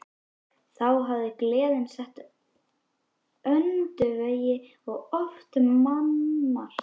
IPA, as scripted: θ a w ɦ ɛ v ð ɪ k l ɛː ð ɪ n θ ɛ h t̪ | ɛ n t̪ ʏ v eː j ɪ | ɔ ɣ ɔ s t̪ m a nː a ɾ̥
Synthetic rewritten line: θ a w ɦ a v ð ɪ k l ɛː ð ɪ n s ɛ h t̪ | œ n t̪ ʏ v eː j ɪ | ɔ ɣ ɔ f t̪ m a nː a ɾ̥